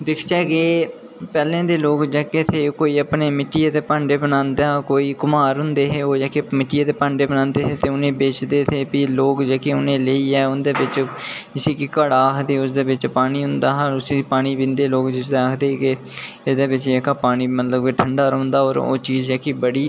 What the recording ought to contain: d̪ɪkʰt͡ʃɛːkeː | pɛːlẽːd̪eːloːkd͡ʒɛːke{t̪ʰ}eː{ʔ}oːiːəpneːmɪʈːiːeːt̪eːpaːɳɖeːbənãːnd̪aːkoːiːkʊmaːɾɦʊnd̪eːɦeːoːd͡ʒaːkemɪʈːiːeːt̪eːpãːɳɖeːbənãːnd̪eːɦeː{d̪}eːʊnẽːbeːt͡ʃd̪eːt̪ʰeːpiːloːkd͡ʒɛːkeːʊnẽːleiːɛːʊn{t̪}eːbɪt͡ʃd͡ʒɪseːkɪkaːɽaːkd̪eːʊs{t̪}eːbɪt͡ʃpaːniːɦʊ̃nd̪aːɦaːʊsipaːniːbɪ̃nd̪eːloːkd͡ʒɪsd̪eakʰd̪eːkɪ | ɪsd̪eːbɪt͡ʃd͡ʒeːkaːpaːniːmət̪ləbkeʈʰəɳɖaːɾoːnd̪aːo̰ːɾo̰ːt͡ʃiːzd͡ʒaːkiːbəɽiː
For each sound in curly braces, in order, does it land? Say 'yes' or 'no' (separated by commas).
yes, no, no, no, no